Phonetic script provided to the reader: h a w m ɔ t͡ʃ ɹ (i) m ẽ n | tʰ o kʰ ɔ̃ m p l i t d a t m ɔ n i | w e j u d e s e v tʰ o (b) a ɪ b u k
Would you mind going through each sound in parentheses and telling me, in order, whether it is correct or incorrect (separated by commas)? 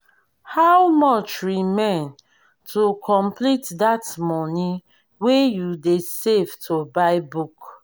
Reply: correct, correct